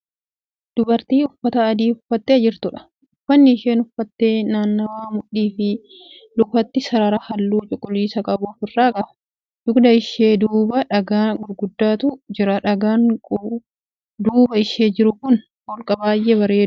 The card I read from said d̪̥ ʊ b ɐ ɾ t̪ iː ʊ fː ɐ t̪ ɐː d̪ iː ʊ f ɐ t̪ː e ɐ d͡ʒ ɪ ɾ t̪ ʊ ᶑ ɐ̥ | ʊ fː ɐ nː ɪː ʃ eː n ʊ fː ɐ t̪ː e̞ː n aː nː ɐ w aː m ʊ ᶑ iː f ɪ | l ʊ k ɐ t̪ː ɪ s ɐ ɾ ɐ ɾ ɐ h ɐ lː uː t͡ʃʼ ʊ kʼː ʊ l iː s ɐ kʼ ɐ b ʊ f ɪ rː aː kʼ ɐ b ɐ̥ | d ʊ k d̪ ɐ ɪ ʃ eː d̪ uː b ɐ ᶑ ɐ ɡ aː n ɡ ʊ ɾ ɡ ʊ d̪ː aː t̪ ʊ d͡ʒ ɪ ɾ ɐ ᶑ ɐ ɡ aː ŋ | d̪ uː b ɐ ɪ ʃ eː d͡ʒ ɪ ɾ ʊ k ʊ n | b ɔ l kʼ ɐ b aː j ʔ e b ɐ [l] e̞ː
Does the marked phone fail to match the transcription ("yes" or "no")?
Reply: yes